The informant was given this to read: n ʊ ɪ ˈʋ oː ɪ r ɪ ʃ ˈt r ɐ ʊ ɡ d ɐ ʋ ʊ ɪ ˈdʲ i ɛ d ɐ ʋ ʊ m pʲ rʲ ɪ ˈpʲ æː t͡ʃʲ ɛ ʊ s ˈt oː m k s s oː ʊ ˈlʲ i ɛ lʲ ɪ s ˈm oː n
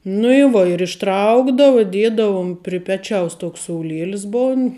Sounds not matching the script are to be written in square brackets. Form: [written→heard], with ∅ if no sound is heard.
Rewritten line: n ʊ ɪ ˈʋ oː ɪ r ɪ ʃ ˈt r ɐ ʊ ɡ d ɐ ʋ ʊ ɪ ˈdʲ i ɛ d ɐ ʋ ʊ m pʲ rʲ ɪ ˈpʲ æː t͡ʃʲ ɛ ʊ s ˈt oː [m→∅] k s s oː ʊ ˈlʲ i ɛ lʲ ɪ s [ˈm→ˈb] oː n

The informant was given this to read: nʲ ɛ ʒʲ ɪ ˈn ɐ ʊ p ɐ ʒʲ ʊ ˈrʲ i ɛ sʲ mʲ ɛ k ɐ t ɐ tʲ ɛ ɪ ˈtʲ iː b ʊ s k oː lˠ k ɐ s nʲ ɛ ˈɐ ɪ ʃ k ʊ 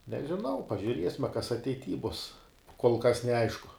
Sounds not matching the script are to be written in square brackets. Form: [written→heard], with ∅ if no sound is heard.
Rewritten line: nʲ ɛ ʒʲ ɪ ˈn ɐ ʊ p ɐ ʒʲ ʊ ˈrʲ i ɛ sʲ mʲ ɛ k ɐ [t→s] ɐ tʲ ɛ ɪ ˈtʲ iː b ʊ s k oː lˠ k ɐ s nʲ ɛ ˈɐ ɪ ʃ k ʊ

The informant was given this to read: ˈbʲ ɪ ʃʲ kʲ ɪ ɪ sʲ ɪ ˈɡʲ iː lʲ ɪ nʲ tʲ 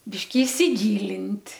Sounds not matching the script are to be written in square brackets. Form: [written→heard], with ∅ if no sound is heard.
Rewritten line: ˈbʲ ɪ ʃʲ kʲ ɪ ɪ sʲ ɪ ˈɡʲ iː lʲ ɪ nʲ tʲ

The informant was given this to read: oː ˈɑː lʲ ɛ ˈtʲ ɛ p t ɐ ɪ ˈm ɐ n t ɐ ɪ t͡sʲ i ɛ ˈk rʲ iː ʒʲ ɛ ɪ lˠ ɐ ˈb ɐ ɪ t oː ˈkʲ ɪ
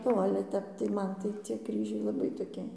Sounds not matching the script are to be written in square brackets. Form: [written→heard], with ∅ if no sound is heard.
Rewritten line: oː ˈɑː lʲ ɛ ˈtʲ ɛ p t ɐ ɪ ˈm ɐ n t ɐ ɪ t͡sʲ i ɛ ˈk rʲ iː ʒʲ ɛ ɪ lˠ ɐ ˈb ɐ ɪ t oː ˈkʲ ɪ

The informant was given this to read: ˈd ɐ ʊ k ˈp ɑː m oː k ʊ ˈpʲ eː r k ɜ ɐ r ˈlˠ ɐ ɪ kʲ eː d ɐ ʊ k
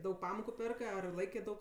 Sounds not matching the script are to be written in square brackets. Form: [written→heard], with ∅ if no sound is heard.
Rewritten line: ˈd ɐ ʊ k ˈp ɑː m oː k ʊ ˈpʲ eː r k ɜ ɐ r ˈlˠ ɐ ɪ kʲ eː d ɐ ʊ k

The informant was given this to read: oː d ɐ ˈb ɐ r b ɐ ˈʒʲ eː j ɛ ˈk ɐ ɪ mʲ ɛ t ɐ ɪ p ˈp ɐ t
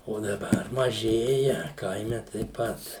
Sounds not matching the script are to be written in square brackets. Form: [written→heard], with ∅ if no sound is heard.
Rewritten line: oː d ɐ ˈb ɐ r [b→m] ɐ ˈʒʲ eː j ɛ ˈk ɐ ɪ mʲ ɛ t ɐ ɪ p ˈp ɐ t

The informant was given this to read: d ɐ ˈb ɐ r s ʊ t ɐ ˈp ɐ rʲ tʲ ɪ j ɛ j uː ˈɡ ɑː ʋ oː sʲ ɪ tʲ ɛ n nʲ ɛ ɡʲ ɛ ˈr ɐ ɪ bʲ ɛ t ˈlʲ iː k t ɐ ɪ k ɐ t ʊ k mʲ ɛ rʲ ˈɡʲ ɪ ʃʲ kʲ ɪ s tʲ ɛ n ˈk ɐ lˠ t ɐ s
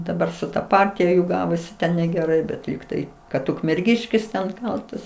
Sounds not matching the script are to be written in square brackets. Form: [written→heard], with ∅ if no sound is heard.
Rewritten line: d ɐ ˈb ɐ r s ʊ t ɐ ˈp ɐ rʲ tʲ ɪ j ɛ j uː ˈɡ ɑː ʋ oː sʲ ɪ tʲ ɛ n nʲ ɛ ɡʲ ɛ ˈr ɐ ɪ bʲ ɛ t ˈlʲ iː k t ɐ ɪ k ɐ t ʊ k mʲ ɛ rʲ ˈɡʲ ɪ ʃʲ kʲ ɪ s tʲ ɛ n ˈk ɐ lˠ t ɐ s

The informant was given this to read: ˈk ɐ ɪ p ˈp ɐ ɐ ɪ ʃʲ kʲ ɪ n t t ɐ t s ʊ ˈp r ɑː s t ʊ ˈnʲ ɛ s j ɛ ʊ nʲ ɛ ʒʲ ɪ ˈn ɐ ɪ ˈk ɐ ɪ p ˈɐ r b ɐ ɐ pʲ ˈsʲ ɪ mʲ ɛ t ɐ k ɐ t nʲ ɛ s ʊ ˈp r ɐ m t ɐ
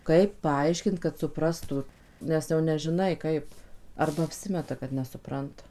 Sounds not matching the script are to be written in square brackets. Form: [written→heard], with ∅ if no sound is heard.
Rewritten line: ˈk ɐ ɪ p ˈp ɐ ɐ ɪ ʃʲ kʲ ɪ n t [t→k] ɐ t s ʊ ˈp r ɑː s t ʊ ˈnʲ ɛ s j ɛ ʊ nʲ ɛ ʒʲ ɪ ˈn ɐ ɪ ˈk ɐ ɪ p ˈɐ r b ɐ ɐ pʲ ˈsʲ ɪ mʲ ɛ t ɐ k ɐ t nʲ ɛ s ʊ ˈp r ɐ [m→n] t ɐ

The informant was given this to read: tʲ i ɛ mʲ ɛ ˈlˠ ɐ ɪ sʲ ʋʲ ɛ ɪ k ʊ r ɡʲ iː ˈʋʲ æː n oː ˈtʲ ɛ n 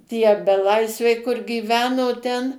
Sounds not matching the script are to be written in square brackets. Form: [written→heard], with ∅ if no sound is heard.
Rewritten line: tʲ i ɛ [mʲ→bʲ] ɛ ˈlˠ ɐ ɪ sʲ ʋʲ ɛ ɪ k ʊ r ɡʲ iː ˈʋʲ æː n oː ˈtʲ ɛ n

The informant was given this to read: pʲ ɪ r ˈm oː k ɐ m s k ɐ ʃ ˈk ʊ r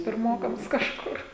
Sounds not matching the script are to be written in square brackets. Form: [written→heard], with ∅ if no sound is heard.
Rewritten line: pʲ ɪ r ˈm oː k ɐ m s k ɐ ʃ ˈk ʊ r

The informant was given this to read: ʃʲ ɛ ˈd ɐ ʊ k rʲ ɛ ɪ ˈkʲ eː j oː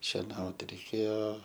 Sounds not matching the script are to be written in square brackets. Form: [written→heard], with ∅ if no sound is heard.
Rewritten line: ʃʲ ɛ [ˈd→ˈn] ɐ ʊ [k→t] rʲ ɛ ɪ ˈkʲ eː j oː

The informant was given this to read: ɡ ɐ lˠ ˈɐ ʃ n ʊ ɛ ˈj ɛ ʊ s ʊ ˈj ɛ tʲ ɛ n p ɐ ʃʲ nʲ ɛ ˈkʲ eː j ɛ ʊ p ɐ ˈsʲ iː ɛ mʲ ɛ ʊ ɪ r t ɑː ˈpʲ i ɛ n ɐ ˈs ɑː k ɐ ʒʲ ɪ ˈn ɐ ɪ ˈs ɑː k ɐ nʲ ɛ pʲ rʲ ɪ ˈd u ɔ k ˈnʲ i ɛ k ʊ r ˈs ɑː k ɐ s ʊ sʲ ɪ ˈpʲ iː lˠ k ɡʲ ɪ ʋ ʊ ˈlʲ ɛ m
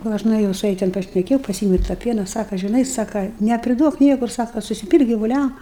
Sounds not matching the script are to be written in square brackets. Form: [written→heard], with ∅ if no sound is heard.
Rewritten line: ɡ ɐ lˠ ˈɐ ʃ n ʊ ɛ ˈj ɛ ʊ s ʊ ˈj ɛ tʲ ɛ n p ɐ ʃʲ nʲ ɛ ˈkʲ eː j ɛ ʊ p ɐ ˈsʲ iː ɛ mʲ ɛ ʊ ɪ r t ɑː ˈpʲ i ɛ n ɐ ˈs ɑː k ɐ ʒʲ ɪ ˈn ɐ ɪ ˈs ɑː k ɐ nʲ ɛ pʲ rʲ ɪ ˈd u ɔ k ˈnʲ i ɛ k ʊ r ˈs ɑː k ɐ s ʊ sʲ ɪ ˈpʲ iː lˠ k ɡʲ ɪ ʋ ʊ ˈlʲ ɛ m

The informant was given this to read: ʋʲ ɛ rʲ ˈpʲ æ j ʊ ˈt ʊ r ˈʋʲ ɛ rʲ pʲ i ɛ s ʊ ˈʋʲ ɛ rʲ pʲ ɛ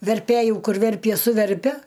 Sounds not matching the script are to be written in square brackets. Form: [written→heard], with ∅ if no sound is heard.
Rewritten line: ʋʲ ɛ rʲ ˈpʲ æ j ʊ [ˈt→ˈk] ʊ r ˈʋʲ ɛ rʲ pʲ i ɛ s ʊ ˈʋʲ ɛ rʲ pʲ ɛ

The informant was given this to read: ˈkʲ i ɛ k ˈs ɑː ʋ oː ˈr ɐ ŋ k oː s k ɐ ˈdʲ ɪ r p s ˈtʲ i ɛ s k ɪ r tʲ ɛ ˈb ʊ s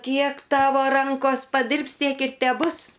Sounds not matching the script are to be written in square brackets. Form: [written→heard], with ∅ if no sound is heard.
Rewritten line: ˈkʲ i ɛ k [ˈs→ˈt] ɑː ʋ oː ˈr ɐ ŋ k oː s [k→p] ɐ ˈdʲ ɪ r p s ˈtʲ i ɛ [s→∅] k ɪ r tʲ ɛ ˈb ʊ s

